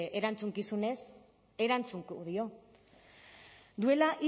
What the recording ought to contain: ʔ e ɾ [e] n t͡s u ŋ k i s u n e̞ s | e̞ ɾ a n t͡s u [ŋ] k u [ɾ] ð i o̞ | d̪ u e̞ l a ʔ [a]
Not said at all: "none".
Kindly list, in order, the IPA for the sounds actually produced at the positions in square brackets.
a, ŋ, none, i

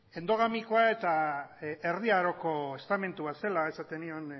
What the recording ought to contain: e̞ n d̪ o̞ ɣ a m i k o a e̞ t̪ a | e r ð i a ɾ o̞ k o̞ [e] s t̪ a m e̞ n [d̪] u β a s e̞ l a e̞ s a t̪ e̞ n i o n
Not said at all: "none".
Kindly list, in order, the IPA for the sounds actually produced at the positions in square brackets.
e, t̪

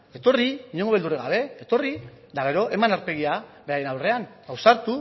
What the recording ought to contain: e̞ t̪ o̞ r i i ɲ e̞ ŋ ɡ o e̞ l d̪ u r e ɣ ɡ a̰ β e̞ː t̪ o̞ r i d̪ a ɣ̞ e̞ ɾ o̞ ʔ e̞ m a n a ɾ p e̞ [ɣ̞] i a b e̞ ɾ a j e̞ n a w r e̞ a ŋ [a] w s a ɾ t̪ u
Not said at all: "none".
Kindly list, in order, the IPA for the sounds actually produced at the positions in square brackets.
ɣ̞, a

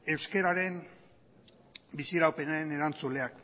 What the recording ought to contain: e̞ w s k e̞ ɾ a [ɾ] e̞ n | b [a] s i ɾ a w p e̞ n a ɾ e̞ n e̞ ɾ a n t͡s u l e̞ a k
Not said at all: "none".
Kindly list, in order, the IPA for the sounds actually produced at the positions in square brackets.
ɾ, i

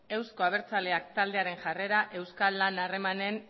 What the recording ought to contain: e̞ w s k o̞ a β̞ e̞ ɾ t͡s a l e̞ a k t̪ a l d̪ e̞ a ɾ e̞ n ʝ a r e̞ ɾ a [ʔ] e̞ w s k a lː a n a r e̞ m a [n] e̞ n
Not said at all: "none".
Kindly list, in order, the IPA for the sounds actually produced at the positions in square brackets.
ʔ, n

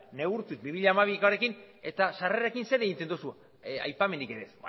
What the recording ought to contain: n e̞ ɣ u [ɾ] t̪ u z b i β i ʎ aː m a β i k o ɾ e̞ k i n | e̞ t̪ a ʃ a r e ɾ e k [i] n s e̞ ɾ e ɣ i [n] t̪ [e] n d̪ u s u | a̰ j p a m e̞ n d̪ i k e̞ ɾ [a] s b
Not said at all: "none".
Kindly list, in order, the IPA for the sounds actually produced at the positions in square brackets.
ɾ, i, n, e, e

